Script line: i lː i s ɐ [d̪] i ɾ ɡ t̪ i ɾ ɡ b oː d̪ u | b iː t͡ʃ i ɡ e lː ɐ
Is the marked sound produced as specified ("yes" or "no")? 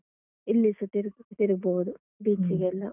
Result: no